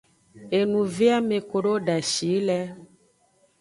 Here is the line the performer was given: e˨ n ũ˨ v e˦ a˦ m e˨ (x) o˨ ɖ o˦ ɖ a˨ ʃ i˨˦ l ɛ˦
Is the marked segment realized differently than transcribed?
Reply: yes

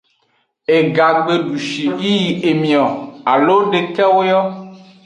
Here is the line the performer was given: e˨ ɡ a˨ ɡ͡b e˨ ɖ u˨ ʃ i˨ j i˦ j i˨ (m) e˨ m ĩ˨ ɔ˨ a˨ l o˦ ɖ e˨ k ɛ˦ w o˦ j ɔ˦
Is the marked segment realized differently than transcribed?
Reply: yes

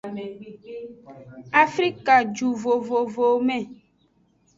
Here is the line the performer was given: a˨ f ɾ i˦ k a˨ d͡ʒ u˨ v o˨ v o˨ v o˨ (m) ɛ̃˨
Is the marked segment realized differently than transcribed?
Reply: no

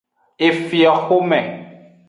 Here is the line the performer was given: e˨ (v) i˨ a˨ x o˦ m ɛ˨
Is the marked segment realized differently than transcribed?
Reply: yes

